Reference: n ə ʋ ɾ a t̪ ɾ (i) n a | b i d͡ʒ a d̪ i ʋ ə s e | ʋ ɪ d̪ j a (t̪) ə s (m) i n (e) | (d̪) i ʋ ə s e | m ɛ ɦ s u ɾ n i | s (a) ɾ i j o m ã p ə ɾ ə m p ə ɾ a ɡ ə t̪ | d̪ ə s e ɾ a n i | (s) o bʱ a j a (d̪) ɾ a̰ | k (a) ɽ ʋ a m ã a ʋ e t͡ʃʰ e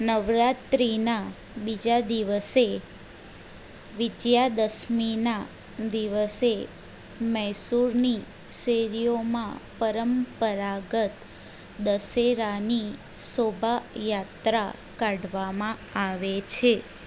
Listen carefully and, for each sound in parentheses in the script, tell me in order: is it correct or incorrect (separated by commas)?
correct, incorrect, correct, incorrect, correct, incorrect, correct, incorrect, correct